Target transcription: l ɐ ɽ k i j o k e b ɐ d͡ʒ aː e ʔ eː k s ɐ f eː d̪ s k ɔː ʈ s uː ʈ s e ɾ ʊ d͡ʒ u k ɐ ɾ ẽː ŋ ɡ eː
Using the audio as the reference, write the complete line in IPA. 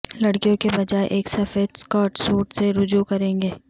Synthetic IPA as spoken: l ɐ ɽ k i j õ k e b ɐ d͡ʒ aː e ʔ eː k s ɐ f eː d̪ s k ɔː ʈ s uː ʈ s e ɾ ʊ d͡ʒ u k ɐ ɾ ẽː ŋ ɡ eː